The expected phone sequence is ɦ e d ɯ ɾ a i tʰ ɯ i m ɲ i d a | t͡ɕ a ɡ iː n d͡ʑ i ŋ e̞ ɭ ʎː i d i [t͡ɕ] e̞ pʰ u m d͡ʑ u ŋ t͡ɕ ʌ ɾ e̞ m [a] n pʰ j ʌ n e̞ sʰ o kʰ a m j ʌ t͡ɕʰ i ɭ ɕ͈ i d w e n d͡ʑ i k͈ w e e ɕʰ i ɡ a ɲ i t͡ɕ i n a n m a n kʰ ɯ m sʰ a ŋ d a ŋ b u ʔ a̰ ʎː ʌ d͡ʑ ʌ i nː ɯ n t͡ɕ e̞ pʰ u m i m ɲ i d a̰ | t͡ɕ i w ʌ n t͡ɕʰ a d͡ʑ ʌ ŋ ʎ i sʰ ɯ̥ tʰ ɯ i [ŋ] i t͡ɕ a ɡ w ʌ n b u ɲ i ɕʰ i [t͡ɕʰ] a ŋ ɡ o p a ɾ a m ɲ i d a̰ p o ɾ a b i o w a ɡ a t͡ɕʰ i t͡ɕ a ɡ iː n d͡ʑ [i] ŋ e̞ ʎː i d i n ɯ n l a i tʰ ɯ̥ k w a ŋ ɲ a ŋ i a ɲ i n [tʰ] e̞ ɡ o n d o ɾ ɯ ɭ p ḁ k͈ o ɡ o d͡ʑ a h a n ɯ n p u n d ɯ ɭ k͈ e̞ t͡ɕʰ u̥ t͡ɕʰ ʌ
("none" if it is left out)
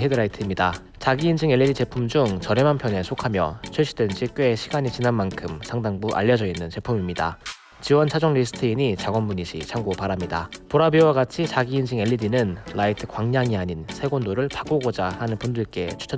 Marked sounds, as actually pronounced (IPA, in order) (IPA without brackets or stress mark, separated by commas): t͡ɕ, a, ɲ, t͡ɕʰ, i, sʰ